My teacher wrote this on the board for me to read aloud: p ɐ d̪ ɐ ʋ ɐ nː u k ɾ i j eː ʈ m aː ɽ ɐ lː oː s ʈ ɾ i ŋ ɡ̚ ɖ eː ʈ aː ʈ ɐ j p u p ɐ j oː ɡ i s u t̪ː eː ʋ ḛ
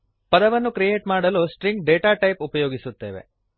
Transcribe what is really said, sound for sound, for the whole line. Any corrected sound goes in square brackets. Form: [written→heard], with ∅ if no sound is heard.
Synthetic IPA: p ɐ d̪ ɐ ʋ ɐ nː u k ɾ i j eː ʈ m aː ɽ ɐ [lː→l] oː s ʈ ɾ i ŋ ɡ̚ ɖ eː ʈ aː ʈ ɐ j p u p ɐ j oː ɡ i s u t̪ː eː ʋ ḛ